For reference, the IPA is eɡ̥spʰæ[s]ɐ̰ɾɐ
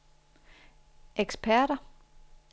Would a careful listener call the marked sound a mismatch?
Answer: yes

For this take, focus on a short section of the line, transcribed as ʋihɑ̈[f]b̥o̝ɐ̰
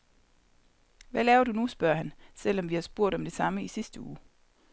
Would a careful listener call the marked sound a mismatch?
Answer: yes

